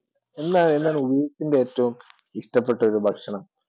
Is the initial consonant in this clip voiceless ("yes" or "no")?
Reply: no